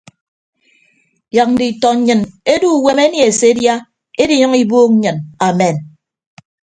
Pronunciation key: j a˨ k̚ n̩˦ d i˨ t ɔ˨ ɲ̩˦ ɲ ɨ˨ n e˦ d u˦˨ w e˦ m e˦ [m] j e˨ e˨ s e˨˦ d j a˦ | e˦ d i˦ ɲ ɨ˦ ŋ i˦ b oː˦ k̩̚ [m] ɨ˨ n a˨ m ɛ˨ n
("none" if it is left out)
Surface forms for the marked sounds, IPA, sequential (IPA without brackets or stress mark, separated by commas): n, ɲ